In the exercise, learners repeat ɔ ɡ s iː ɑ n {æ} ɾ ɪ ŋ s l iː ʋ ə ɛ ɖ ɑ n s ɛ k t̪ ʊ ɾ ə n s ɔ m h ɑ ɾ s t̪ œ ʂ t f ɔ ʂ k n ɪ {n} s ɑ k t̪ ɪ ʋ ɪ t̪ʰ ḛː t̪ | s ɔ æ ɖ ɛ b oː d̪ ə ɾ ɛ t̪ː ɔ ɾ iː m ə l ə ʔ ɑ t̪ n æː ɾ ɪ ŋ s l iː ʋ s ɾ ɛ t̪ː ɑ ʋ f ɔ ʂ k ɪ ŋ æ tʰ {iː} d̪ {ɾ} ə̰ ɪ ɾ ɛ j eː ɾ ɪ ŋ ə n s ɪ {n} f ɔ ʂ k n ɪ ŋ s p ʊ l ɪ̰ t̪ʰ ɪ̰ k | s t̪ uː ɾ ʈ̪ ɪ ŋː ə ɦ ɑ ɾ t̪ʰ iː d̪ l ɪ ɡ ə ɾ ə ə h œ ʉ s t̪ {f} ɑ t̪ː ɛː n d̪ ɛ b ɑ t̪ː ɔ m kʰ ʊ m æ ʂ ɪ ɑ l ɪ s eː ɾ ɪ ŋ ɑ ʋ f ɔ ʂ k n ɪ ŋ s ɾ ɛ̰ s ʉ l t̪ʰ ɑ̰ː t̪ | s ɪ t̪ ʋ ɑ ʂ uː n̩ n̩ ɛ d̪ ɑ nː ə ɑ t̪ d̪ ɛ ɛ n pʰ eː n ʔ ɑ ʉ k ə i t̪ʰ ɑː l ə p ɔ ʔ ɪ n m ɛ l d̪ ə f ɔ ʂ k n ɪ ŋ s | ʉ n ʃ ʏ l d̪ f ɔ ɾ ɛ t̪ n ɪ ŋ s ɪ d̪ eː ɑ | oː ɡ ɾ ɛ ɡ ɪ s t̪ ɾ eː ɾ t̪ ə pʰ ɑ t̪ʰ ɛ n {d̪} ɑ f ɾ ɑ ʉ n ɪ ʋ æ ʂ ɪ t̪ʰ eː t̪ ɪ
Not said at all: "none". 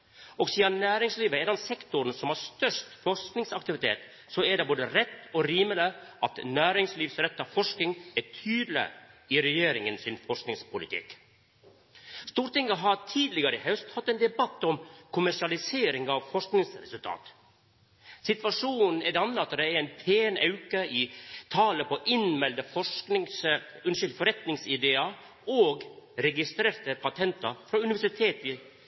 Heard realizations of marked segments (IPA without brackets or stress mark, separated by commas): æː, ŋ, yː, l, n, h, t̪